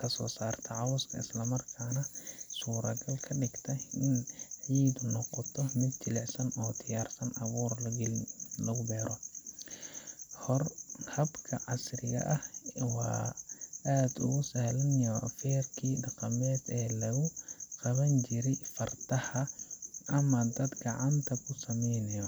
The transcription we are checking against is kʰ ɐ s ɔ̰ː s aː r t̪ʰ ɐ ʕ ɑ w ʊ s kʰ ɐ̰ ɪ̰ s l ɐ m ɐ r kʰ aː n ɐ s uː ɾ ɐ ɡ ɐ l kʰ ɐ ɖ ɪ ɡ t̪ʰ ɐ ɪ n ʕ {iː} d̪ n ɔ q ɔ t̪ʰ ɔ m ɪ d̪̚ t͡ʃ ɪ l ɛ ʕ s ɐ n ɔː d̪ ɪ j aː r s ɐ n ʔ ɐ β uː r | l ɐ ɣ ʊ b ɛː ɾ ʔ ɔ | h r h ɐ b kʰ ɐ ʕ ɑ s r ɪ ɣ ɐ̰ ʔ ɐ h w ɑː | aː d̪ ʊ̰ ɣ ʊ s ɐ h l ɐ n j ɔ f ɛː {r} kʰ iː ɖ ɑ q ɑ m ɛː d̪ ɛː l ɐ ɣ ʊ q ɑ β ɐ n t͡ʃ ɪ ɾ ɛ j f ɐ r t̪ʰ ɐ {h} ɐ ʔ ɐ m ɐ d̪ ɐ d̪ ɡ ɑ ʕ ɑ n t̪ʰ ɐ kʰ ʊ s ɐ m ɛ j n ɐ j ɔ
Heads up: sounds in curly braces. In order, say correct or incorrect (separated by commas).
correct, correct, correct